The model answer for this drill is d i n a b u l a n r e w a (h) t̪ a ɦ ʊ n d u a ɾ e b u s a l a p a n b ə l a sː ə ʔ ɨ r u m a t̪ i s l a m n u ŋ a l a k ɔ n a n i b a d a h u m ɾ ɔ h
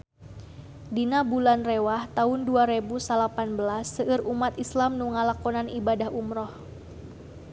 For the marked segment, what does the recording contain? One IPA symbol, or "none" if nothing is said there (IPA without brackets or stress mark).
h